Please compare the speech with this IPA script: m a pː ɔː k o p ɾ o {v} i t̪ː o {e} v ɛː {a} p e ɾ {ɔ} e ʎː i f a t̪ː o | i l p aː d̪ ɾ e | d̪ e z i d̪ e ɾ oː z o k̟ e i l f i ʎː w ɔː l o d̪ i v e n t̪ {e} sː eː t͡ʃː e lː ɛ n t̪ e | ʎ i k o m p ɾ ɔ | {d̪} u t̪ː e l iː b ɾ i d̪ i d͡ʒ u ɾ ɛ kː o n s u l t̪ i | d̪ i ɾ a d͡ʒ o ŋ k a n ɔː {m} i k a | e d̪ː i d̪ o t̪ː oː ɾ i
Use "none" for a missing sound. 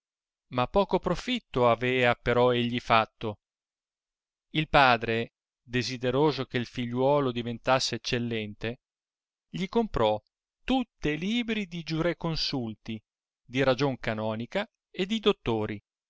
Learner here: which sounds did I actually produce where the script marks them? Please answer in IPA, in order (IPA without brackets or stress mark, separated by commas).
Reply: f, a, a, ɔ, a, t̪, n